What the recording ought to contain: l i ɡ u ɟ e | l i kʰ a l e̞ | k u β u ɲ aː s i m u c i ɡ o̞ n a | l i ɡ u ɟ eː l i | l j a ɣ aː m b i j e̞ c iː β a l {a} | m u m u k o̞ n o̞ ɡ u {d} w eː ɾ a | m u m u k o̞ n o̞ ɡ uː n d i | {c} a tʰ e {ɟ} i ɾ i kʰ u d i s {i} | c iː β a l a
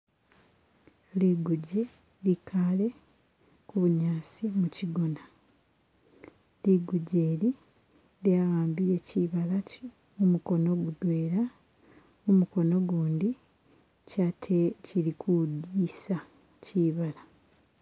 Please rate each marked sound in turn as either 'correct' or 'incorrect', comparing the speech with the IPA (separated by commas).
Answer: correct, correct, correct, incorrect, incorrect